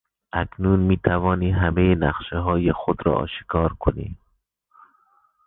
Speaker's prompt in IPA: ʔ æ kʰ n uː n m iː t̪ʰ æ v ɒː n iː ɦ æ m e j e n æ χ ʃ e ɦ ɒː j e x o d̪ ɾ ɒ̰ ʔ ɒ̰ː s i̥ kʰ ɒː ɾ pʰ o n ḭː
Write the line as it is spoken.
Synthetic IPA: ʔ æ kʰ n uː n m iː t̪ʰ æ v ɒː n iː ɦ æ m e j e n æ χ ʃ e ɦ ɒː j e x o d̪ ɾ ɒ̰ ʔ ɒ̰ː ʃ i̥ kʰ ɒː ɾ kʰ o n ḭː